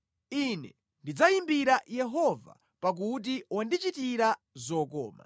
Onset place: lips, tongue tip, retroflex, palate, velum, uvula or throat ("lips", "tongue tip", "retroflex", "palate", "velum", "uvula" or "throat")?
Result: tongue tip